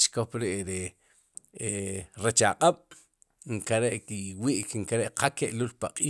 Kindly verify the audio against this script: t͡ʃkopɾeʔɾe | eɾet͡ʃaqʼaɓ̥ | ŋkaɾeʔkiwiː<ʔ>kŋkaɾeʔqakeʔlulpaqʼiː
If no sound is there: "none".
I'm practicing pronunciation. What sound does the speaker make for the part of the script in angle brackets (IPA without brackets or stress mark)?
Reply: ʔ